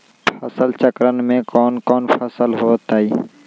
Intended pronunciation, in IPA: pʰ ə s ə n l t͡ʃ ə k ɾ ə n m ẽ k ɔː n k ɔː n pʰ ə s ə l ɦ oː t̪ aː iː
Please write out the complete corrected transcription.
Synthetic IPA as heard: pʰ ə s ə l t͡ʃ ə k ɾ ə n m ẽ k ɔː n k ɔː n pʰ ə s ə l ɦ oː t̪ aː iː